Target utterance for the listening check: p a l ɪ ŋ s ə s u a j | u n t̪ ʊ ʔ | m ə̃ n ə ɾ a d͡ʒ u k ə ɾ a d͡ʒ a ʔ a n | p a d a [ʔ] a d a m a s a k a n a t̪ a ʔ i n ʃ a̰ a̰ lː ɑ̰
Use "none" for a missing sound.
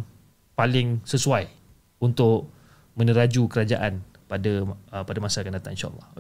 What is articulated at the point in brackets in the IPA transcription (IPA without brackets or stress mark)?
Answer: p